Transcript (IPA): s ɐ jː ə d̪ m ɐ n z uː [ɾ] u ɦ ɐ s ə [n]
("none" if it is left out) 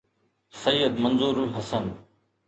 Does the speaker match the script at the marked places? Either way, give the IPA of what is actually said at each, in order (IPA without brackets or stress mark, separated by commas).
ɾ, n